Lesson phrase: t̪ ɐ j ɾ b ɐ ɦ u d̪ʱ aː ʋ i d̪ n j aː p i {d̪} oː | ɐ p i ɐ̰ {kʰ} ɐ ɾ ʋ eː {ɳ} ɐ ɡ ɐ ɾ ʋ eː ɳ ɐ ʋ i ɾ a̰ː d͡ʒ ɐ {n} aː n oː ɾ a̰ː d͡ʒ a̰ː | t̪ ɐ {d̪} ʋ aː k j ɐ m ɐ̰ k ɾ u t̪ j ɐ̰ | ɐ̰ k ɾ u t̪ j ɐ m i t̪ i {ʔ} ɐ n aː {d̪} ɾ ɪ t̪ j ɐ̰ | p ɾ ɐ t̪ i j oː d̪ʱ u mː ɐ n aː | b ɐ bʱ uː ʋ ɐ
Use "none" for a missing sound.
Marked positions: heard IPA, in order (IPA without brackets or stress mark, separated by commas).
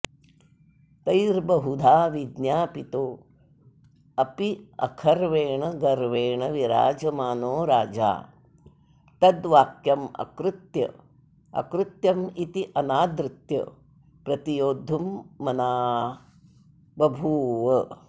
t̪, kʰ, ɳ, m, d̪, ʔ, d̪